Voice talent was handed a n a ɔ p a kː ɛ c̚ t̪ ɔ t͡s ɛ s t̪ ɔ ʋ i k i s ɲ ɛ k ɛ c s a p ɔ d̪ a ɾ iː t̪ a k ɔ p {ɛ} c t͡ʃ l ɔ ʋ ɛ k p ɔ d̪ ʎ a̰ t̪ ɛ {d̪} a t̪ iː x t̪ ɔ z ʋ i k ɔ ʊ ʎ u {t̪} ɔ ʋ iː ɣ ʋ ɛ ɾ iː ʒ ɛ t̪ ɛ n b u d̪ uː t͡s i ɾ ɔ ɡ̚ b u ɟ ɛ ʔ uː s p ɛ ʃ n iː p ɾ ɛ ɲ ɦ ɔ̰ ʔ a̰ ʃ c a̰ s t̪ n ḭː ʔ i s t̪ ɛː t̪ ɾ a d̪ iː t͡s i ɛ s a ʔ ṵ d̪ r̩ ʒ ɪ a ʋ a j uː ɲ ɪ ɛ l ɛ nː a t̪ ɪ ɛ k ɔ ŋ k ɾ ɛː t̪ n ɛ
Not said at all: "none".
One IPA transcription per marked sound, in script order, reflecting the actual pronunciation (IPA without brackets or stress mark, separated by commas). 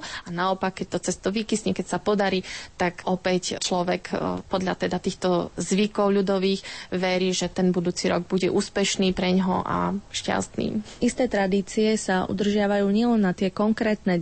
ɛ, d̪, d̪